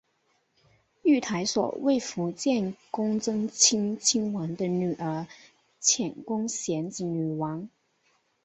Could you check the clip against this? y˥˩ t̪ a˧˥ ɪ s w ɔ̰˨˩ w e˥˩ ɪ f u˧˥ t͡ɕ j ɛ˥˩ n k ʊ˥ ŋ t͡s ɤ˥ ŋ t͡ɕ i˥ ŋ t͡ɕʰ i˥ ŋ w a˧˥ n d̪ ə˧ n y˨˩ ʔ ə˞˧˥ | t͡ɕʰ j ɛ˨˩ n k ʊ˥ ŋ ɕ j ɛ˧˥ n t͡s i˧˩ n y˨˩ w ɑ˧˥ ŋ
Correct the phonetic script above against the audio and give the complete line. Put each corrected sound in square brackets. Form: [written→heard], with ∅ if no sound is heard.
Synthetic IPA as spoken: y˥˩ [t̪→t̪ʰ] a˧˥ ɪ s w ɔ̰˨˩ w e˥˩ ɪ f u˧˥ t͡ɕ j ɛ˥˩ n k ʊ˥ ŋ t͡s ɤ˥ ŋ [t͡ɕ→t͡ɕʰ] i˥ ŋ t͡ɕʰ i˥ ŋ w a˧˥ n d̪ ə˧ n y˨˩ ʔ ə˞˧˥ | t͡ɕʰ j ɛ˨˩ n k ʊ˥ ŋ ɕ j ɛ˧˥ n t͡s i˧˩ n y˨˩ w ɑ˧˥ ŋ